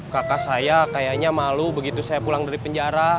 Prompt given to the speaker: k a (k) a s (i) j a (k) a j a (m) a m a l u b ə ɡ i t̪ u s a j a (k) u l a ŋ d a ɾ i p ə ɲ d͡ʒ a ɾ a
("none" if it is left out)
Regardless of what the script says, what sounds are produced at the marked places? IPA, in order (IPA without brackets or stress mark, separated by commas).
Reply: k, a, k, ɲ, p